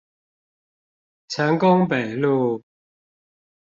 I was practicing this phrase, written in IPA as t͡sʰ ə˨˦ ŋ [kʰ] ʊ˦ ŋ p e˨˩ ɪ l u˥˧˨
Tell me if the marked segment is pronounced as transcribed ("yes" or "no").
no